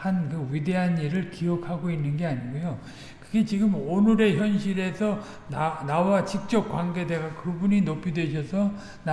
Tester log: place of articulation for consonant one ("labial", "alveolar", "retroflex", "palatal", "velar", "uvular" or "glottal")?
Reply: glottal